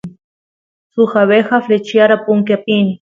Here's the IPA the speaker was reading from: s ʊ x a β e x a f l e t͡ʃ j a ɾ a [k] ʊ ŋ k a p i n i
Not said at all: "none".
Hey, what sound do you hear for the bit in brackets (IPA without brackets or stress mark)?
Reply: p